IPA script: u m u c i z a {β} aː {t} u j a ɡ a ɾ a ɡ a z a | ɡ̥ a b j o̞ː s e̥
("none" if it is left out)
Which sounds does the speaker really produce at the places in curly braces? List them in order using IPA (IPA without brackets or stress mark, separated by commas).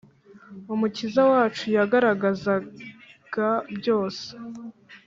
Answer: w, t͡ʃ